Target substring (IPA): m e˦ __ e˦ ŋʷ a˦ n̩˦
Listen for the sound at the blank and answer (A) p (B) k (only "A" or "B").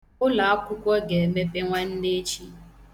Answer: A